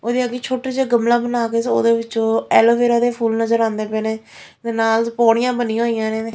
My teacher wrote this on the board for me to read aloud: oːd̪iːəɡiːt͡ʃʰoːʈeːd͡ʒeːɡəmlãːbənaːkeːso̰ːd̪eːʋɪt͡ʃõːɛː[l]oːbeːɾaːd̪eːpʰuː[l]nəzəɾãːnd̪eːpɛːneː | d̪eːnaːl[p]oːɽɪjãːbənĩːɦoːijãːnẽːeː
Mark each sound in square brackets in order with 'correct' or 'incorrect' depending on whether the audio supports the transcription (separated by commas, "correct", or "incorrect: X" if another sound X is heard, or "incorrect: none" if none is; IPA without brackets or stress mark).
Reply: correct, correct, correct